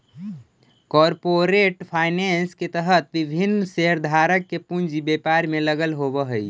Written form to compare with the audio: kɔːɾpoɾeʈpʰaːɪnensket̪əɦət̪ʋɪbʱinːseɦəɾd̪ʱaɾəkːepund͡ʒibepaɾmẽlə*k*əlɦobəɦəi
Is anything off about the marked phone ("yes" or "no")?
yes